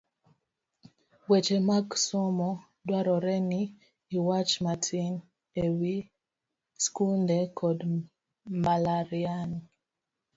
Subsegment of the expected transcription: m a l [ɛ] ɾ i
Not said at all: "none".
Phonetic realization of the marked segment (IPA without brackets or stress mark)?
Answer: a